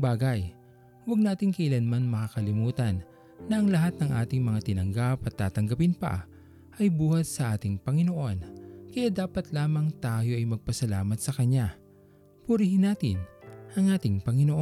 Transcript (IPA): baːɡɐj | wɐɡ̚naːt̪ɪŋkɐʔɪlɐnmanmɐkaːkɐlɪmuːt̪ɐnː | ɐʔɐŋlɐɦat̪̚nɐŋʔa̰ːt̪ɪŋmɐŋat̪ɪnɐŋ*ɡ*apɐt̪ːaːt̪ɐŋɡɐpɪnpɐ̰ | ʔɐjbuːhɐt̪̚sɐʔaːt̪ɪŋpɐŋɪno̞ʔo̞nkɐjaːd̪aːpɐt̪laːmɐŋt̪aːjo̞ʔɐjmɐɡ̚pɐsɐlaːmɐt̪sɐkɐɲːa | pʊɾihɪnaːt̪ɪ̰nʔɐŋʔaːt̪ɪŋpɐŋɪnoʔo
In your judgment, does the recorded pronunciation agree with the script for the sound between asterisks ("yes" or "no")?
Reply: yes